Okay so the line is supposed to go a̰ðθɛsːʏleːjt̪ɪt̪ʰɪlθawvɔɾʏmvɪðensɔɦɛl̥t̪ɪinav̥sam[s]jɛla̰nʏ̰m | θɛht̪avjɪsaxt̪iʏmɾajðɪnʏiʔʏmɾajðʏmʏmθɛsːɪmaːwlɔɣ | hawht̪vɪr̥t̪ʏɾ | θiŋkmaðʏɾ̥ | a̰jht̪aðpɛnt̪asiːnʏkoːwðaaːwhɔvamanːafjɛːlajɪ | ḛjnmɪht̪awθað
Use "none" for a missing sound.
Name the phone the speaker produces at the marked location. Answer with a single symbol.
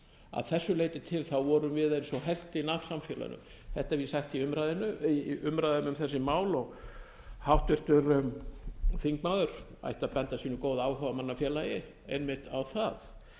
f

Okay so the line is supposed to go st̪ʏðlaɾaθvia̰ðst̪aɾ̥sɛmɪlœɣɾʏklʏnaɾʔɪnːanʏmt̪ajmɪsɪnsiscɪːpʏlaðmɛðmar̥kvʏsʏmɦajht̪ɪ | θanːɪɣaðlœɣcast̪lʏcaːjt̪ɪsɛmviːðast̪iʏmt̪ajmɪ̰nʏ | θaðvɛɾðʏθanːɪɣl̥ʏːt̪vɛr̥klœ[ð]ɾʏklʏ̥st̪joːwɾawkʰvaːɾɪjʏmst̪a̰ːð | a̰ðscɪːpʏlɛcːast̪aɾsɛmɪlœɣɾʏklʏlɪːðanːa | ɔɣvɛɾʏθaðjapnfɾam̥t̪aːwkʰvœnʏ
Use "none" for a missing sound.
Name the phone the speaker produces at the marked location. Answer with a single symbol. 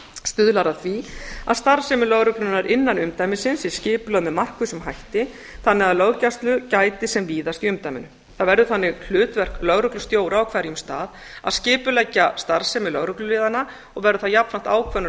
ɣ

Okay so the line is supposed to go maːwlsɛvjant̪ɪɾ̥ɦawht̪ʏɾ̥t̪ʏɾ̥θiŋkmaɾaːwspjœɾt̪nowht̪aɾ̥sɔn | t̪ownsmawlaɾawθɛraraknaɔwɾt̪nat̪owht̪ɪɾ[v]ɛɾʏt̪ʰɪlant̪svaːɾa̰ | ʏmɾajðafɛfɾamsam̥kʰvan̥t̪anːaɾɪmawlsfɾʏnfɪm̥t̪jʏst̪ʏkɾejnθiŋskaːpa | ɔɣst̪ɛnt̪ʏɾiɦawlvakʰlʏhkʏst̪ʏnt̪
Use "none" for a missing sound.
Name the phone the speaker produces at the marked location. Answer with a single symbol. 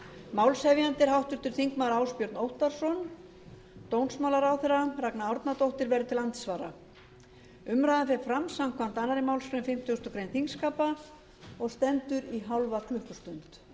v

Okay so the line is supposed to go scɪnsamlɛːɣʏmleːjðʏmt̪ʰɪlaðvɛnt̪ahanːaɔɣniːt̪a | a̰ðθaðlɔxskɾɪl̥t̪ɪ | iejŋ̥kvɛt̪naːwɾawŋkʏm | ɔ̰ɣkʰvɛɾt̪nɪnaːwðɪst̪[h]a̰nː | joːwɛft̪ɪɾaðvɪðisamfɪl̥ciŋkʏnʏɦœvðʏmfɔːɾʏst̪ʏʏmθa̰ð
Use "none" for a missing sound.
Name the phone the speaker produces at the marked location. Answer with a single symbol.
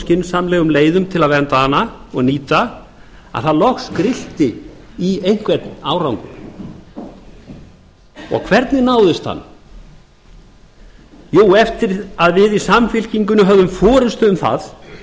h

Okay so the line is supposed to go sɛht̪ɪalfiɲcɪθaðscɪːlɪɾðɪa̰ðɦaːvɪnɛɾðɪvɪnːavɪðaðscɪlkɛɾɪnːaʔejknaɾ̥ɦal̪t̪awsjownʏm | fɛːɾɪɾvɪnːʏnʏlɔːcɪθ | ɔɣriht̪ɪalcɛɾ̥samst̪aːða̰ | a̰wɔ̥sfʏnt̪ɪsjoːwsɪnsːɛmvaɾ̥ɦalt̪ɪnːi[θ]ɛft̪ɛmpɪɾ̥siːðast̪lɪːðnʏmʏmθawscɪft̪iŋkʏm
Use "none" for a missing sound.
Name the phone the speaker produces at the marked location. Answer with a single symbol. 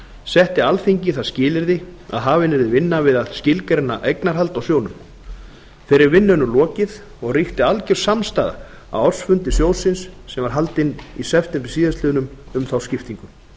s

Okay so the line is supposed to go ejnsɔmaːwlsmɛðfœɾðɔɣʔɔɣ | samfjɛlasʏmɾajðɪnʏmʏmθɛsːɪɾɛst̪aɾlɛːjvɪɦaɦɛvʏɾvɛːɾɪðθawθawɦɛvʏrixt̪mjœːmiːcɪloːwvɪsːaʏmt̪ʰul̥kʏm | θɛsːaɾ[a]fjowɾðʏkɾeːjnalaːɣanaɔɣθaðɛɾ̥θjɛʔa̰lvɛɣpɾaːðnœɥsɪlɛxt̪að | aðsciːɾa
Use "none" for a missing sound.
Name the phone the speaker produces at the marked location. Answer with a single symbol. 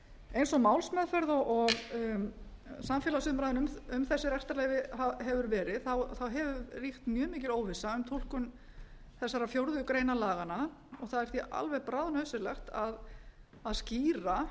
a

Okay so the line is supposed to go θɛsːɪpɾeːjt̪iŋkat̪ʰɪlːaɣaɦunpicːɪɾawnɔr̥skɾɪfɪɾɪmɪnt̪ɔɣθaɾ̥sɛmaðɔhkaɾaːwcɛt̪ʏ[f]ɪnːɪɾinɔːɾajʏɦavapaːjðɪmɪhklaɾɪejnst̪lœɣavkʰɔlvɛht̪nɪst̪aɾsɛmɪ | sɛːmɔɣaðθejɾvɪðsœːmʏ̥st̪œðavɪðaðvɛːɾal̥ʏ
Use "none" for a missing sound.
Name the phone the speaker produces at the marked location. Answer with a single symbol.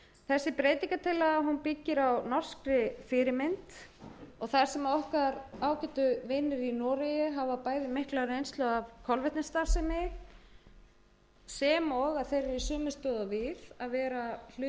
v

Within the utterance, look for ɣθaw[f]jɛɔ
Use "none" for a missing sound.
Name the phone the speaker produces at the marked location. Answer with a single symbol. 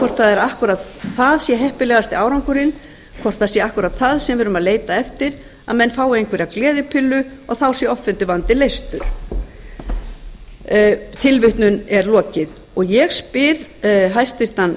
s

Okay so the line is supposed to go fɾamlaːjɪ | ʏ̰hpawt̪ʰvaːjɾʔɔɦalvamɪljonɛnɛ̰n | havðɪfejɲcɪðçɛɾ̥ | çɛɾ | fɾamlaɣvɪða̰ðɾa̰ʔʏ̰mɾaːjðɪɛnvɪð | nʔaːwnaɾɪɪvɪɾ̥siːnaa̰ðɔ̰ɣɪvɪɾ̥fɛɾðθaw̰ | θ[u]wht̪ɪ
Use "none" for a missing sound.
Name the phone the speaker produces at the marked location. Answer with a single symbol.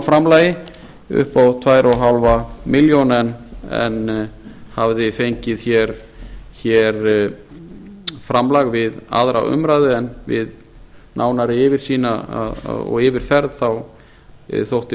o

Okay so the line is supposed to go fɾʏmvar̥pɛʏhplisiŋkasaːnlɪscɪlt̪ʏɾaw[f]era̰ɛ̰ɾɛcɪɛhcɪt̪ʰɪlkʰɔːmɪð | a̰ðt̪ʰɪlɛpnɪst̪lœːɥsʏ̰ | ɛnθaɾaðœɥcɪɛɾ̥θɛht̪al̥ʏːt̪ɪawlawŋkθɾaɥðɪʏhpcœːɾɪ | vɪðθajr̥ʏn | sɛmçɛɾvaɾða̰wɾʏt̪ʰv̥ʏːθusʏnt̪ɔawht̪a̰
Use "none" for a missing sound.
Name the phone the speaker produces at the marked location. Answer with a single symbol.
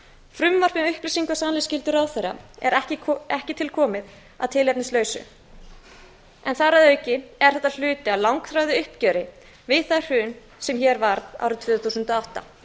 θ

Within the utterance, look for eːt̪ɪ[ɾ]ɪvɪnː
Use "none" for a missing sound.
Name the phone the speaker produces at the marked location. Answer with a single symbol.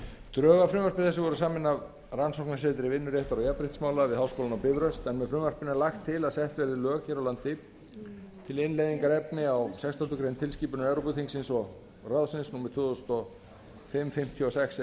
ɾ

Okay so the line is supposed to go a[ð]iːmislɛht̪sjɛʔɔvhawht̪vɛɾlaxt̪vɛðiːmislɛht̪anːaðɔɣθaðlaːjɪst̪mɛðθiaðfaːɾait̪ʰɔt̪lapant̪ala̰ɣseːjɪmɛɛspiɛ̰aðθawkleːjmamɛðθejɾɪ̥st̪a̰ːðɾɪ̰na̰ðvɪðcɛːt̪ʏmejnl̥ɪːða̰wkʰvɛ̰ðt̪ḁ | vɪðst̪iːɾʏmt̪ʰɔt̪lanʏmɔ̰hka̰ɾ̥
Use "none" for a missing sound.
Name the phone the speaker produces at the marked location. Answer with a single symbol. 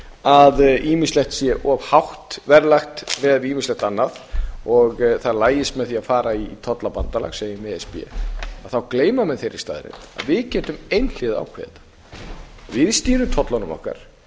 ð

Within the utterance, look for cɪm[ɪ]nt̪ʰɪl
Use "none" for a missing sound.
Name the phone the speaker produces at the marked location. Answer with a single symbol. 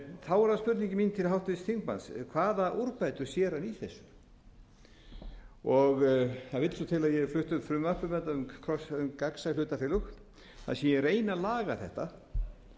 i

